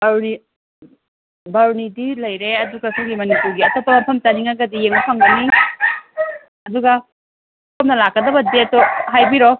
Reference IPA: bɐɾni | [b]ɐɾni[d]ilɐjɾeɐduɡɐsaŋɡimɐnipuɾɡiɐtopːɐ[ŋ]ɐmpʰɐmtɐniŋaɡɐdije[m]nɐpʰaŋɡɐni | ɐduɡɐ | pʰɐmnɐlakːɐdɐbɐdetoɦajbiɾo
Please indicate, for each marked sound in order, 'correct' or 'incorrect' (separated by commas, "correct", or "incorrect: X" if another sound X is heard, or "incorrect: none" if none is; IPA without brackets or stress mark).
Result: correct, correct, incorrect: m, incorrect: ŋ